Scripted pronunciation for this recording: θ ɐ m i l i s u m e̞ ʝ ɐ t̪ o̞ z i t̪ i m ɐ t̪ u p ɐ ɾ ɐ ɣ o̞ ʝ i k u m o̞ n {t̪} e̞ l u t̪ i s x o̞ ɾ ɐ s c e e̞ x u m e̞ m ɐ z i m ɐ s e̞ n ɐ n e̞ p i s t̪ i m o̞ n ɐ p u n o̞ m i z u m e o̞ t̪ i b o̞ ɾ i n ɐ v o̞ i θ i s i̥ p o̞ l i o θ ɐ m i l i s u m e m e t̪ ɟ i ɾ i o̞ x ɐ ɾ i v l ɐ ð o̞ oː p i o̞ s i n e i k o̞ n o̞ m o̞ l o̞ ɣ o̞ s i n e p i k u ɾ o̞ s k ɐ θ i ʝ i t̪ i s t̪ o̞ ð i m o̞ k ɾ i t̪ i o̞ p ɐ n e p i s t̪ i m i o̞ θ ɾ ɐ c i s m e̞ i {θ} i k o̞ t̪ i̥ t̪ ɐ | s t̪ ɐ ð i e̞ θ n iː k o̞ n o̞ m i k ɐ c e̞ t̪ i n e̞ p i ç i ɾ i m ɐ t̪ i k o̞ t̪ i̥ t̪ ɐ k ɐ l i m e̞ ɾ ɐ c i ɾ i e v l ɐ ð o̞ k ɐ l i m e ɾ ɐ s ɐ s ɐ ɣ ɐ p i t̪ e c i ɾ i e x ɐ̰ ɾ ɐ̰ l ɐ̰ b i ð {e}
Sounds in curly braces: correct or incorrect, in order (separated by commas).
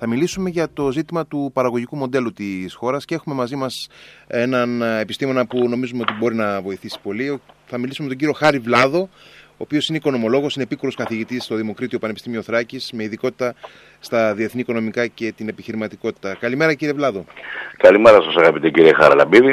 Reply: incorrect, incorrect, incorrect